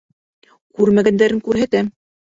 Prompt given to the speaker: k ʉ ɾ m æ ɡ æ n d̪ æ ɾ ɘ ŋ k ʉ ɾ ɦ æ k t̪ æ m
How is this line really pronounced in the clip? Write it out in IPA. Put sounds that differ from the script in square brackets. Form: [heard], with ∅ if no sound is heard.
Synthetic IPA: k ʉ ɾ m æ ɡ æ n d̪ æ ɾ ɘ ŋ k ʉ ɾ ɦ æ [∅] t̪ æ m